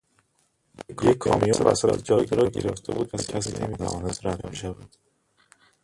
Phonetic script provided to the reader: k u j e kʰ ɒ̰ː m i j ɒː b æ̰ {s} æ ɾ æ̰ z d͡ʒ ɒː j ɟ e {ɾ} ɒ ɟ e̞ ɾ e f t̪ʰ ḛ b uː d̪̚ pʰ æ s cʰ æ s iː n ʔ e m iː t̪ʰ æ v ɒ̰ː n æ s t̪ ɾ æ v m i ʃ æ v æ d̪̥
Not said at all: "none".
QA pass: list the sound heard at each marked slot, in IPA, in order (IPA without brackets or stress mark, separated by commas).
s, ɾ